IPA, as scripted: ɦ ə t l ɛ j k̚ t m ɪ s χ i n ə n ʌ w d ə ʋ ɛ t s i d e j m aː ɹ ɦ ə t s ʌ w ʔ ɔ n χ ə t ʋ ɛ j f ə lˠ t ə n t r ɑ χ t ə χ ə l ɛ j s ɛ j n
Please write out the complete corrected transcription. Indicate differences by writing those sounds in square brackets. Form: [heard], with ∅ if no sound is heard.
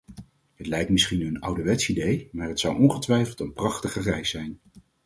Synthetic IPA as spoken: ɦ ə t l ɛ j k̚ t m ɪ s χ i n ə n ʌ w d ə ʋ ɛ t s i d e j m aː ɹ ɦ ə t s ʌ w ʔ ɔ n χ ə t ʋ ɛ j f ə lˠ t ə n [p] r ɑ χ t ə χ ə [r] ɛ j s ɛ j n